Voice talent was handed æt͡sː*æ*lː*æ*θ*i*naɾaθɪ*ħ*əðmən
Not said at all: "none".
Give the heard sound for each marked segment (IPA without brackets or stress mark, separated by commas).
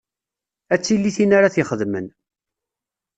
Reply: i, i, i, χ